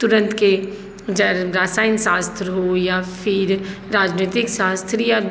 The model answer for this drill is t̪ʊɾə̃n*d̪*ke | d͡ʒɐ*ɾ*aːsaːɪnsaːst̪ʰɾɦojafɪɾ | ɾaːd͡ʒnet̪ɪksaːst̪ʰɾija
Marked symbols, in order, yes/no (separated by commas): no, yes